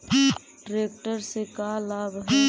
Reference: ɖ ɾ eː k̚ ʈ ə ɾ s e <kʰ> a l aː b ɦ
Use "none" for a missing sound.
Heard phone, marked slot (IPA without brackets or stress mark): k